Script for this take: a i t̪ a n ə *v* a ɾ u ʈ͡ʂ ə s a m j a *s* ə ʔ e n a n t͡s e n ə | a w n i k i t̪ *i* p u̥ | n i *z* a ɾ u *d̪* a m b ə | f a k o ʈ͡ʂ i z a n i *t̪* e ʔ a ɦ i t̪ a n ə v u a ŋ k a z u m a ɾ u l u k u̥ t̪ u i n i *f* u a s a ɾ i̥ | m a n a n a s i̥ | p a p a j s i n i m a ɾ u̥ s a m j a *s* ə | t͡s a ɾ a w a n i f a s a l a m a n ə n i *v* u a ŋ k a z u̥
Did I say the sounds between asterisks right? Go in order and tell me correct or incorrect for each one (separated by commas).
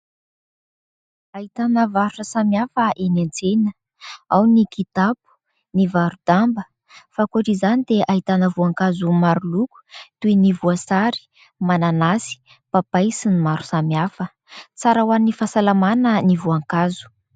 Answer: correct, incorrect, incorrect, incorrect, correct, incorrect, incorrect, incorrect, correct